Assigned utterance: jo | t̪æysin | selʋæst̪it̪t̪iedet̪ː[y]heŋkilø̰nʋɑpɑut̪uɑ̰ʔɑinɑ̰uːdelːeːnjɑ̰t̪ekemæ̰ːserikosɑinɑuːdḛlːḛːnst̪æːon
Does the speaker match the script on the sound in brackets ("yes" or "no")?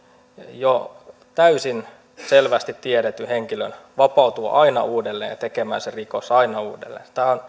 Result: yes